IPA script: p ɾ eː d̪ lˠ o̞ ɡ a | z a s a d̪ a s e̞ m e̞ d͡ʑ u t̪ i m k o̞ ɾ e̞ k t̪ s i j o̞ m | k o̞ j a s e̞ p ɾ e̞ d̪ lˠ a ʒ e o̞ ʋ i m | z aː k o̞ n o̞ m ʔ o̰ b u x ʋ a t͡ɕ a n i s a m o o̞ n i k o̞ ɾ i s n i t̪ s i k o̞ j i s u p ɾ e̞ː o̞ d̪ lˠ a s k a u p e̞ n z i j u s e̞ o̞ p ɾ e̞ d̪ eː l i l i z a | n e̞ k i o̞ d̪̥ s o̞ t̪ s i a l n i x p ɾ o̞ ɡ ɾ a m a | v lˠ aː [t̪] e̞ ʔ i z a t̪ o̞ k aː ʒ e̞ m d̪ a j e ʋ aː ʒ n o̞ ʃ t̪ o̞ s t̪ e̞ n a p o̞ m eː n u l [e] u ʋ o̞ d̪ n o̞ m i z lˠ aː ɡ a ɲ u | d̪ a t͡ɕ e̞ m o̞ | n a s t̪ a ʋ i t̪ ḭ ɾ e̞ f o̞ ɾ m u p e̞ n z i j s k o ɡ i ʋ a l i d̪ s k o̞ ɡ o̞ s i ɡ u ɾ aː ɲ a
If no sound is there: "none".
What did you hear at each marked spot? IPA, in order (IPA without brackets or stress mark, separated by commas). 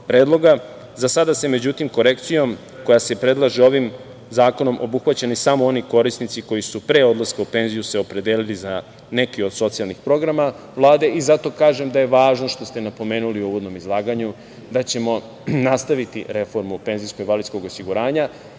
d̪, i